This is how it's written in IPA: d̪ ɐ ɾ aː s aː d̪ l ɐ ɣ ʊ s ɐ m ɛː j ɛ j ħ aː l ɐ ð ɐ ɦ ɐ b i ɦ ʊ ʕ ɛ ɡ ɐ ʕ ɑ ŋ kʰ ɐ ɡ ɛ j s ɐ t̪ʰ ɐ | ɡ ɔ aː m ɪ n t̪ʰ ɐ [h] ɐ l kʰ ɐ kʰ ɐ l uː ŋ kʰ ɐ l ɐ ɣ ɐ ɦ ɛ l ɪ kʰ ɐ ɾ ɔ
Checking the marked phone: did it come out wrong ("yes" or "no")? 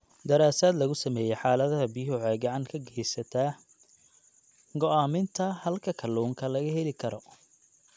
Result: no